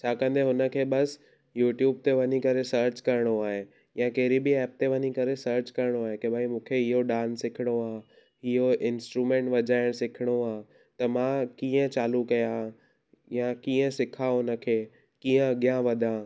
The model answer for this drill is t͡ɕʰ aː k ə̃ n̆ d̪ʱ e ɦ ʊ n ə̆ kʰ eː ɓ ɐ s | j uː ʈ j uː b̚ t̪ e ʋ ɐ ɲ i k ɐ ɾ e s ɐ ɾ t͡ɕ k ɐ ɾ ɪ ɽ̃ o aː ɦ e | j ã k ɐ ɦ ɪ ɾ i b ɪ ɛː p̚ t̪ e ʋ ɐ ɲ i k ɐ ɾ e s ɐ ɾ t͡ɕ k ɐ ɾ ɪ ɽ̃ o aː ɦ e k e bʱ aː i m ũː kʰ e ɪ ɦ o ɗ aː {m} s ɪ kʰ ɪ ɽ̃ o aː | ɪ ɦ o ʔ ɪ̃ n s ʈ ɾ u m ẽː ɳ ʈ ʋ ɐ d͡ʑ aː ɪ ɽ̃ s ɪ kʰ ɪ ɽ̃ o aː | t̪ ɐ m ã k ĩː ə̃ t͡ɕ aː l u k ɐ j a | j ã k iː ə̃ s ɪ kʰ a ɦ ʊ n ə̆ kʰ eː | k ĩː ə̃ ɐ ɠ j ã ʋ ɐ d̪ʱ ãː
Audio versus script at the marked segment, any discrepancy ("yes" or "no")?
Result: yes